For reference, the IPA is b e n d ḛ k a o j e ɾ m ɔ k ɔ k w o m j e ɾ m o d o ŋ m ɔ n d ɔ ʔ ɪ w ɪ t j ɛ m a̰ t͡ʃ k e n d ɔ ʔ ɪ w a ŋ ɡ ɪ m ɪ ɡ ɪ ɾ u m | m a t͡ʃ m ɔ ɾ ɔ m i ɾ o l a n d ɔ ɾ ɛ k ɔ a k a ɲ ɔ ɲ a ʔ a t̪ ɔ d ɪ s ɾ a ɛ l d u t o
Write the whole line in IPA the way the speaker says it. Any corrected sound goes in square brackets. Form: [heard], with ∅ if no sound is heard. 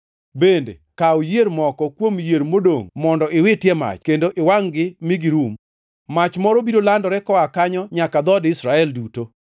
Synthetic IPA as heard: b e n d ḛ k a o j e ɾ m ɔ k ɔ k w o m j e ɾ m o d o ŋ m ɔ n d ɔ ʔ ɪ w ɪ t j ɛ m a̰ t͡ʃ k e n d [o] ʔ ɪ w a ŋ ɡ ɪ m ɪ ɡ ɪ ɾ u m | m a t͡ʃ m ɔ ɾ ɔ [b] i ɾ o l a n d ɔ ɾ ɛ k ɔ a k a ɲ ɔ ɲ a [k] a [d̪] ɔ d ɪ s ɾ a ɛ l d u t o